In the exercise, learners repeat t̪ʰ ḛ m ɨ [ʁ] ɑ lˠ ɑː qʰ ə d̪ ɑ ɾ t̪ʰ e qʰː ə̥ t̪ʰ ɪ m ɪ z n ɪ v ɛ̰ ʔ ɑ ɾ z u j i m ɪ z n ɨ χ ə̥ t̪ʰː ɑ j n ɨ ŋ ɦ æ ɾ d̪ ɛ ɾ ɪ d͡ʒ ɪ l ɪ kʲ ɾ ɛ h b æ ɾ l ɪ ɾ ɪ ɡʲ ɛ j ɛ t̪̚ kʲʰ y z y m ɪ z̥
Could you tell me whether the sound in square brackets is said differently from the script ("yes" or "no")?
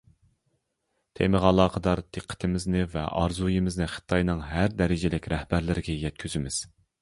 no